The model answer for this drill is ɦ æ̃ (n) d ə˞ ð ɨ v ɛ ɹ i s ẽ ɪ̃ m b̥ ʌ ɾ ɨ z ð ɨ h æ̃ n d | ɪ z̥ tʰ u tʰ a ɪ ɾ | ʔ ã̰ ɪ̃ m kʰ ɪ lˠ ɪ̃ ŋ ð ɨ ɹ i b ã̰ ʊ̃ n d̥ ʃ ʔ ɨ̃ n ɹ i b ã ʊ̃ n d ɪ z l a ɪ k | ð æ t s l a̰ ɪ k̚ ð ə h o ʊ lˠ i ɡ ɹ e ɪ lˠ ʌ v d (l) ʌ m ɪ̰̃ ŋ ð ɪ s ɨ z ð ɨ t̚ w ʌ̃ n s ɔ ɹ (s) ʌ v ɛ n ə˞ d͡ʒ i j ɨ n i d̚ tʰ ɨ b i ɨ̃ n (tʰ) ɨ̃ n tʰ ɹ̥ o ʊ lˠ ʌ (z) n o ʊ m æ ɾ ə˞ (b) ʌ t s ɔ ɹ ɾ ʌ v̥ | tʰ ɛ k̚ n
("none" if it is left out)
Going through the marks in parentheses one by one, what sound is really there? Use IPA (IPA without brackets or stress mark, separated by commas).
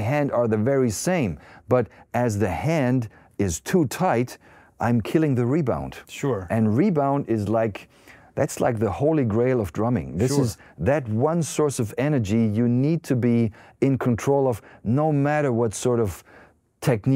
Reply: n, ɹ, s, kʰ, v, w